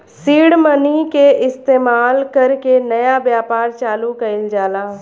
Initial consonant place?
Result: alveolar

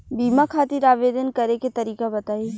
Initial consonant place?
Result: labial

